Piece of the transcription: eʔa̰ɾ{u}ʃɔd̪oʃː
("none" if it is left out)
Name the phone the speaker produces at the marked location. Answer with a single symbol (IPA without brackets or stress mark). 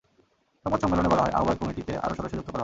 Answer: o